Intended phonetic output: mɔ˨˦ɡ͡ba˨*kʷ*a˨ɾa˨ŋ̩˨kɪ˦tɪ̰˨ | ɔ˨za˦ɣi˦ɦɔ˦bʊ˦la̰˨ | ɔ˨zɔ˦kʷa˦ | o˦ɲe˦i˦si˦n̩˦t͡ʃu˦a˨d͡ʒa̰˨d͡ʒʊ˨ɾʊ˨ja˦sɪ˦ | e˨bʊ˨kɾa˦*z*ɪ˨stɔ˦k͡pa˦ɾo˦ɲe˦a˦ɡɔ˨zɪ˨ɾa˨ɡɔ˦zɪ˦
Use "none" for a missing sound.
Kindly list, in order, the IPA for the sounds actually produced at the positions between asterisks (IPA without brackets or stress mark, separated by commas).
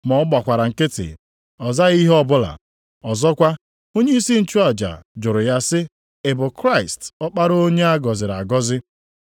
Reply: kʷ, none